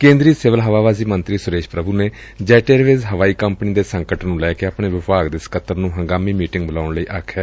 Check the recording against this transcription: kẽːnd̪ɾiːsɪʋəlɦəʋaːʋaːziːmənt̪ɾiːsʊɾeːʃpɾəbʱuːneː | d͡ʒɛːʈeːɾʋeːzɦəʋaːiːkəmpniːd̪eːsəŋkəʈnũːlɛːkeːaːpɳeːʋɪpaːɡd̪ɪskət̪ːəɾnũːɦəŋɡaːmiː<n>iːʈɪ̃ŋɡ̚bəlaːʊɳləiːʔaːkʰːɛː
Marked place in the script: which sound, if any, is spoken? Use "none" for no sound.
m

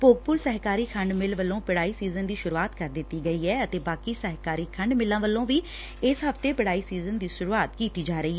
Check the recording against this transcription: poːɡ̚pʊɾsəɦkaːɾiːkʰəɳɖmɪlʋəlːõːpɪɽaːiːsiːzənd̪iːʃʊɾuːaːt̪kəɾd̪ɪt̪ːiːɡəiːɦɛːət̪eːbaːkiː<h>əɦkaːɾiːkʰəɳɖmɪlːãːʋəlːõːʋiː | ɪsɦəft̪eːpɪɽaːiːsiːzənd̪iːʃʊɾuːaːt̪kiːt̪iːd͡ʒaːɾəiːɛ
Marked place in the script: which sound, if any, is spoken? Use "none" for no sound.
s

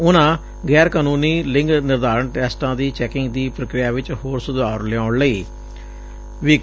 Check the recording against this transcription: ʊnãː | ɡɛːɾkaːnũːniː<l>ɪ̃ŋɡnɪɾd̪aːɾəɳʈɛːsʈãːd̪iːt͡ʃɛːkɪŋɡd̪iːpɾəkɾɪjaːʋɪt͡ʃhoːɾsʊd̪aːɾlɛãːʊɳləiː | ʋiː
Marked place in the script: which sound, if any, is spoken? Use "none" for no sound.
l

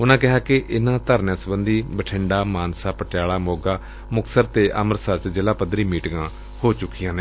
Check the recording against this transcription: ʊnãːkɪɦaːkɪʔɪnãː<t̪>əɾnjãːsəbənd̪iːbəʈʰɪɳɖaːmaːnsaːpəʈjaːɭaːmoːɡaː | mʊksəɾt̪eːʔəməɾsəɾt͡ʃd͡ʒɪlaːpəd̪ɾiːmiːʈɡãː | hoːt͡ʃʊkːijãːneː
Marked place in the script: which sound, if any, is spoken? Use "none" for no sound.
t̪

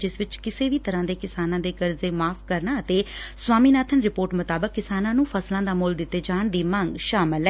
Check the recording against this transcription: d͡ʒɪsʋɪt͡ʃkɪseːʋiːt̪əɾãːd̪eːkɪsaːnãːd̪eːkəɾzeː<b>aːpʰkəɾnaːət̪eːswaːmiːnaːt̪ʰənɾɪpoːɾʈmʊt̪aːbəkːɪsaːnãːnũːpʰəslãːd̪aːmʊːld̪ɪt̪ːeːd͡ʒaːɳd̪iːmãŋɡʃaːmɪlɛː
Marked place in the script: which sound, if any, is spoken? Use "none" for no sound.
m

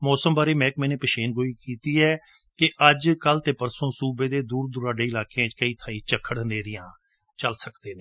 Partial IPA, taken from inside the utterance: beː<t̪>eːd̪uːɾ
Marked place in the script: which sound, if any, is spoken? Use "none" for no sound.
d̪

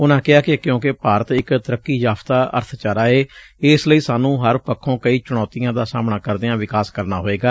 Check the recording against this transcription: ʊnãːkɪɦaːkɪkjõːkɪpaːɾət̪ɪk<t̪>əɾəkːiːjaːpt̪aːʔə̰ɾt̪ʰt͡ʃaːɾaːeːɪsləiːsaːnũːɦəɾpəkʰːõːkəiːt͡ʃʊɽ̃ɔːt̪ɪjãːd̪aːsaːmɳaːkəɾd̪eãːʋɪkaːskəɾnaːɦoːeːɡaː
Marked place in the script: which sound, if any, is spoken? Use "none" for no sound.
t̪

